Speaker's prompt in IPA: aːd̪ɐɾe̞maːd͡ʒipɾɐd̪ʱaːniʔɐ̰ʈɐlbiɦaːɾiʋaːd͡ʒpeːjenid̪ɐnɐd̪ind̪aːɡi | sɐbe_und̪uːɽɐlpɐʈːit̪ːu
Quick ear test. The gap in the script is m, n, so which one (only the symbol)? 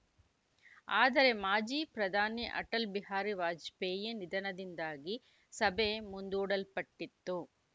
m